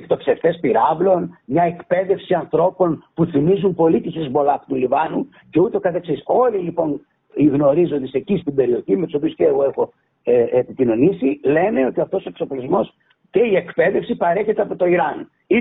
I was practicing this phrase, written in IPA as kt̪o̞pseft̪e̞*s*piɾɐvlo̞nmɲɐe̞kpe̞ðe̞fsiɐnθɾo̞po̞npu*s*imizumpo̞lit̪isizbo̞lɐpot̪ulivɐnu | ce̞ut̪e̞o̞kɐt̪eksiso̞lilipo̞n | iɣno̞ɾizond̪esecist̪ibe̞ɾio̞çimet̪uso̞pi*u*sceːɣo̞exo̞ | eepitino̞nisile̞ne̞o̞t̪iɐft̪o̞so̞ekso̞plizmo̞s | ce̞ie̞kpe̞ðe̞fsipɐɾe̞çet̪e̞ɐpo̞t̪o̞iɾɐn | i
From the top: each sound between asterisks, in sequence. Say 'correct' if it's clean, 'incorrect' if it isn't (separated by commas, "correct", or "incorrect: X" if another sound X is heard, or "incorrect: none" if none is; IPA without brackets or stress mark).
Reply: correct, incorrect: θ, correct